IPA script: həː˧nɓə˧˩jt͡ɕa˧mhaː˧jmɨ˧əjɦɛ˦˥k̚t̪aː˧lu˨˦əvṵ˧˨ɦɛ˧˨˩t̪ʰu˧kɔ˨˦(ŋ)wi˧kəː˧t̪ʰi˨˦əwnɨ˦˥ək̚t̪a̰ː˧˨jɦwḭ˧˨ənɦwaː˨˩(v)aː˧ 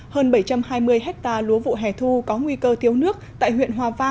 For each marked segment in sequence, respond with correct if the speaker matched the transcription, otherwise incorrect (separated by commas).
correct, correct